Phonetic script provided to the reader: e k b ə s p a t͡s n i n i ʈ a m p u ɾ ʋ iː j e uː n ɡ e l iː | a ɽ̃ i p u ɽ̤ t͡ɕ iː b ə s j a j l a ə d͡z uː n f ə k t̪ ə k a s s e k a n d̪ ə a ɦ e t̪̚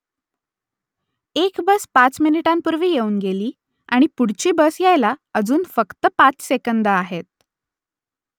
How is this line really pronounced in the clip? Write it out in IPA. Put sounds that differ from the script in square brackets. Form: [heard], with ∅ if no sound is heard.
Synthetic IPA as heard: e k b ə s p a t͡s [m] i n i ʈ a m p u ɾ ʋ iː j e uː n ɡ e l iː | a ɽ̃ i p u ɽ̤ t͡ɕ iː b ə s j a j l a ə d͡z uː n f ə k t̪ ə [p] a [t͡s] s e k [ə] n d̪ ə a ɦ e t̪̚